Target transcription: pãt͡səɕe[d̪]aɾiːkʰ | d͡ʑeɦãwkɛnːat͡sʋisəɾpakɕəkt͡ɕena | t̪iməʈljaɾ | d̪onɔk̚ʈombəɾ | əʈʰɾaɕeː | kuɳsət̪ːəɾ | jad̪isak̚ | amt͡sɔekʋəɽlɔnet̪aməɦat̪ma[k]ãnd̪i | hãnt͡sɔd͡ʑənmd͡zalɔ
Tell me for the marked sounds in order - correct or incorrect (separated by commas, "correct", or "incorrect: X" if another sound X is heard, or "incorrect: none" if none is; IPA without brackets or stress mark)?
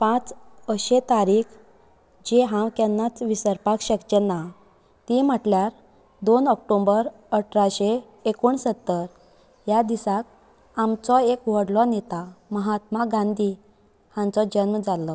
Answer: incorrect: t̪, incorrect: ɡ